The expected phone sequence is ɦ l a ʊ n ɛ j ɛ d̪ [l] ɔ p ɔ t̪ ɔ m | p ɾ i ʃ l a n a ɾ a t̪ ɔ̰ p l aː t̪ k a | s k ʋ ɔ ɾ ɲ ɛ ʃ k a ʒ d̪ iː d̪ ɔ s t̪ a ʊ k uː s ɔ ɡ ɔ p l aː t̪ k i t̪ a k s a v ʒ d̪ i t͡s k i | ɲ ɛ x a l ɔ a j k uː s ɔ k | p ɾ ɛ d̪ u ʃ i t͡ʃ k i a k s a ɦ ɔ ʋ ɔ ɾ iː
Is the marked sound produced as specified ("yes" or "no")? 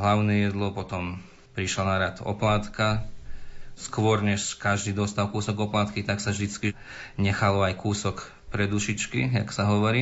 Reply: yes